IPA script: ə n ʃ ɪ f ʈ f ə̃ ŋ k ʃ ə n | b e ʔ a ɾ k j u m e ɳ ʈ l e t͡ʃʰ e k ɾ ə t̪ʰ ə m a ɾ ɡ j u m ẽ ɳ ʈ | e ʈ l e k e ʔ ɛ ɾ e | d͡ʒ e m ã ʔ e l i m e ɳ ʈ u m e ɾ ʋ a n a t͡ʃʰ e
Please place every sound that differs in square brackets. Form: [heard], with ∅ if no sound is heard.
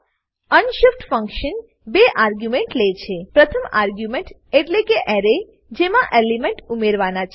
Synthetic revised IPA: ə n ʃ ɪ f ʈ f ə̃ ŋ k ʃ ə n | b e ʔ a ɾ [ɡ] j u m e ɳ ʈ l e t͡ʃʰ e [p] ɾ ə t̪ʰ ə m a ɾ ɡ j u m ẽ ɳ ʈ | e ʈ l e k e ʔ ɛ ɾ e | d͡ʒ e m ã ʔ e l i m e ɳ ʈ u m e ɾ ʋ a n a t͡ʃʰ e